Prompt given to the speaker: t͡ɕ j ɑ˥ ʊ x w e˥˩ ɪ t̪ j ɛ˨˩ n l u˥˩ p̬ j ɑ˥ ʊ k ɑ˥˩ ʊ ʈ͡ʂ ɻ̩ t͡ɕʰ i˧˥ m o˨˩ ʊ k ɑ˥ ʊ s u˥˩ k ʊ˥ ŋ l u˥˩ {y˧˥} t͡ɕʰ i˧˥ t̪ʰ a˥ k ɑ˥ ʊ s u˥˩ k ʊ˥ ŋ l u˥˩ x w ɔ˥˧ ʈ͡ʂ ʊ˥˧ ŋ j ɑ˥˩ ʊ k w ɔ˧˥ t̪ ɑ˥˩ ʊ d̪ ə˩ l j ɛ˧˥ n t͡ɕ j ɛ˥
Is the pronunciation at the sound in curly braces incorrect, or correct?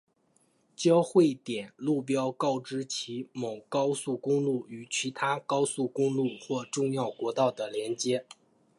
incorrect: y˨˩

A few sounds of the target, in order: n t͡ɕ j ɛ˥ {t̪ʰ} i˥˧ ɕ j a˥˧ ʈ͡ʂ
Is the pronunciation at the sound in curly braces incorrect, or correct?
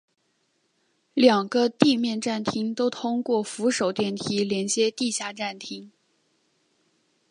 incorrect: t̪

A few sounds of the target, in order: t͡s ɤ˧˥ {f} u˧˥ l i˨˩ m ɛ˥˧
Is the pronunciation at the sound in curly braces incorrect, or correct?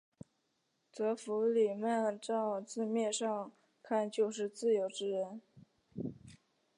correct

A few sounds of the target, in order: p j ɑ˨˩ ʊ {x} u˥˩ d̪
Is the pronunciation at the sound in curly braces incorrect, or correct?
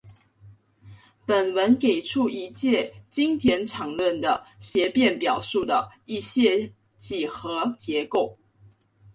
incorrect: ʂ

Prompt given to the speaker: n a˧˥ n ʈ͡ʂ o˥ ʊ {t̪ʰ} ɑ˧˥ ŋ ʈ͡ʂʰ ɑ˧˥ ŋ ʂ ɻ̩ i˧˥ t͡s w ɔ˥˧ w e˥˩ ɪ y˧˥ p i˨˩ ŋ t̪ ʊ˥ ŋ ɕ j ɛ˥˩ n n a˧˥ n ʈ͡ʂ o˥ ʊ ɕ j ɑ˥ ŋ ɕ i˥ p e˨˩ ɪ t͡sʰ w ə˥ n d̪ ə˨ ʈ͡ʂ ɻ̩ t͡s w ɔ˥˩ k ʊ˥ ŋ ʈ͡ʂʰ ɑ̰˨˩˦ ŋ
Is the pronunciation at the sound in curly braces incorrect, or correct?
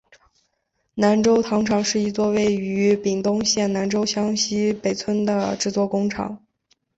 correct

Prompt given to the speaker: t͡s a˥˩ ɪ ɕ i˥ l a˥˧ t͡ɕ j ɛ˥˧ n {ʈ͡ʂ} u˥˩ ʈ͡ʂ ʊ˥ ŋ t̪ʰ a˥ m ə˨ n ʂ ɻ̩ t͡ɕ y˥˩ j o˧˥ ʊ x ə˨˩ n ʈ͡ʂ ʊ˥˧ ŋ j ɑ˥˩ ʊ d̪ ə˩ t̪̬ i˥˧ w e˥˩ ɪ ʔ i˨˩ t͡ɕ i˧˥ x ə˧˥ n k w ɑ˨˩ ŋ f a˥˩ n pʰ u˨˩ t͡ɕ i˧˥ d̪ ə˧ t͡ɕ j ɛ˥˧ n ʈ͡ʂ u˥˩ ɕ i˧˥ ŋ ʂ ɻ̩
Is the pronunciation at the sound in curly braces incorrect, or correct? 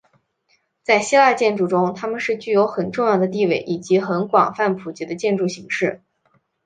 correct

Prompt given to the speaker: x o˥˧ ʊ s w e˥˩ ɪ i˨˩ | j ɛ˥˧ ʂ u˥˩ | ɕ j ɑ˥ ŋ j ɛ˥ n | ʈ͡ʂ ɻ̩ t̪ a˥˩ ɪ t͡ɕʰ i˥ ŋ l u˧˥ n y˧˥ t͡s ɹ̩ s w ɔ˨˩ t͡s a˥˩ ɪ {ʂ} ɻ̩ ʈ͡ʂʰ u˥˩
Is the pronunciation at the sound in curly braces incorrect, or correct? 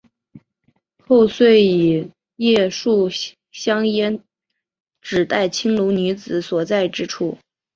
incorrect: ʈ͡ʂ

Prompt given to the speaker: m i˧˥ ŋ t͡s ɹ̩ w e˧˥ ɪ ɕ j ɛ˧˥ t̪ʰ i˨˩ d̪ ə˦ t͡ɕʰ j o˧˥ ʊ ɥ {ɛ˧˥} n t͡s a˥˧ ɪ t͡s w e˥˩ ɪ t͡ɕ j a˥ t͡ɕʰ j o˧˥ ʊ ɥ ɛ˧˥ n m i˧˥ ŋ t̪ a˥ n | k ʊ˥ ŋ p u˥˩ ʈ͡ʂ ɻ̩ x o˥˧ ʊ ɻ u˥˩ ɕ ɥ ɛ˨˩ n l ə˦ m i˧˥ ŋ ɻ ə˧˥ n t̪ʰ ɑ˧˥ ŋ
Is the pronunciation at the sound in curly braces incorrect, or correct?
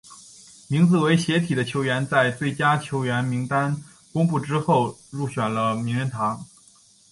correct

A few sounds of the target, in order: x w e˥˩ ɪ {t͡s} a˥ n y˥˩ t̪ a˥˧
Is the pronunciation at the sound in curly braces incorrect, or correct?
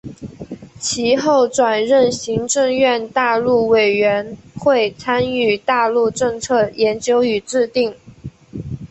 incorrect: t͡sʰ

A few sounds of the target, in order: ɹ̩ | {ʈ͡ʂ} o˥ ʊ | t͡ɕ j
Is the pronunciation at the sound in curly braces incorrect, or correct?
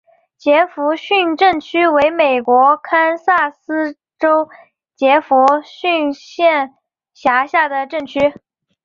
correct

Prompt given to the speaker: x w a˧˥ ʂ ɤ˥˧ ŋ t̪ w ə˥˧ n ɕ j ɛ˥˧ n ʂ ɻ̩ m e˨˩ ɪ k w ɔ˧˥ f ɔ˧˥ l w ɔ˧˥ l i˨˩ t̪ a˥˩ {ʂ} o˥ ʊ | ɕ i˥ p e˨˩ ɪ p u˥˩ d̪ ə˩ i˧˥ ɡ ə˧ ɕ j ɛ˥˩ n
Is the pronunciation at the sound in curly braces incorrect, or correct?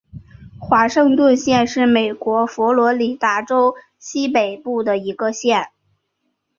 incorrect: ʈ͡ʂ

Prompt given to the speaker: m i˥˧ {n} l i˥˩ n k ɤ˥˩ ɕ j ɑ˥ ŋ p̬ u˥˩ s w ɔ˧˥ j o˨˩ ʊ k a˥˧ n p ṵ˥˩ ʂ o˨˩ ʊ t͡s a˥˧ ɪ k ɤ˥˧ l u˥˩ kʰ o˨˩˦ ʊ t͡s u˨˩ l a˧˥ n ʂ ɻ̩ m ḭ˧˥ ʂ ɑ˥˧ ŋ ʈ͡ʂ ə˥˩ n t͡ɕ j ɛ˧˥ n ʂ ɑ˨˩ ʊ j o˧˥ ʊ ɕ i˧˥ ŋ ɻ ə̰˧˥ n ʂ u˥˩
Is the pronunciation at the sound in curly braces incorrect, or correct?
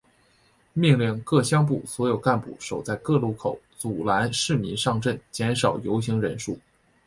incorrect: ŋ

